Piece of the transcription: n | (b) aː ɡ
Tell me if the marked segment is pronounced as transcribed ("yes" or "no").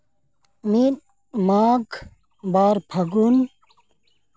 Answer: no